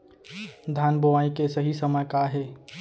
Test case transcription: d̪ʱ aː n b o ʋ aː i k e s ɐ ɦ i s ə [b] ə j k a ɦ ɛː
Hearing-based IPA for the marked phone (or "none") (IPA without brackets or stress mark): m